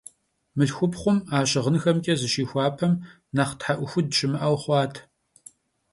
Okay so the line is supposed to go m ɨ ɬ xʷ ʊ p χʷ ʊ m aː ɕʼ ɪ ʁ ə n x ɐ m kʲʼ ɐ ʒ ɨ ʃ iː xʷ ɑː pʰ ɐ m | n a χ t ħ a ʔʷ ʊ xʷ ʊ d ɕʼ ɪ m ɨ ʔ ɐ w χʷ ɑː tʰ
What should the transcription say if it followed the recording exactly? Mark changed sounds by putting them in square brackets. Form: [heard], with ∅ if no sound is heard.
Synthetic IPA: m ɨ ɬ xʷ ʊ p χʷ ʊ m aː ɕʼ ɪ ʁ ə n x ɐ m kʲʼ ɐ [z] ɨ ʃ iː xʷ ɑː pʰ ɐ m | n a χ t ħ a ʔʷ ʊ xʷ ʊ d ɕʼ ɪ m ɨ ʔ ɐ w χʷ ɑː tʰ